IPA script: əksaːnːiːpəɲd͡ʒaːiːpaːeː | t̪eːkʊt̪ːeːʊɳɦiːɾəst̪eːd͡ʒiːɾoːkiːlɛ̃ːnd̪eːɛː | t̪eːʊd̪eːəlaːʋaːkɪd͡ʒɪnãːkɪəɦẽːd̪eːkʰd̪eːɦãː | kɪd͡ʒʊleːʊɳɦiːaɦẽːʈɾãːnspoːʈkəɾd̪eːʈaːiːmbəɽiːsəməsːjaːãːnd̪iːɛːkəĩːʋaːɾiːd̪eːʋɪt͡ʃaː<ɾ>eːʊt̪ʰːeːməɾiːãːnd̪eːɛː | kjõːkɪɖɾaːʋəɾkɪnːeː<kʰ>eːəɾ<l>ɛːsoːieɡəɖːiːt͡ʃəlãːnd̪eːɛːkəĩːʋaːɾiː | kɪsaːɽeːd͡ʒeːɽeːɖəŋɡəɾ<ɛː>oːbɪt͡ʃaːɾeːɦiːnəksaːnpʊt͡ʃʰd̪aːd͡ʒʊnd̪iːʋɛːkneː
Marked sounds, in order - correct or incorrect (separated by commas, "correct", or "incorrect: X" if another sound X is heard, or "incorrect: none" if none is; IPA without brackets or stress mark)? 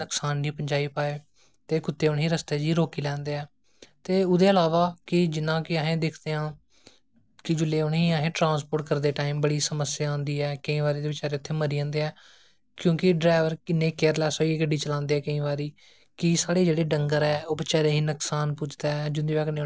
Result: correct, incorrect: k, correct, correct